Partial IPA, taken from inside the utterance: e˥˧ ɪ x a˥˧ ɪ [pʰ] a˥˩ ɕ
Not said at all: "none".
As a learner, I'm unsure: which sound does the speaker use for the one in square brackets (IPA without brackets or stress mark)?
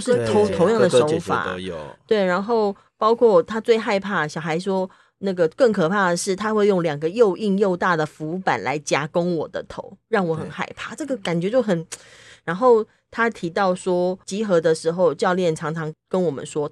pʰ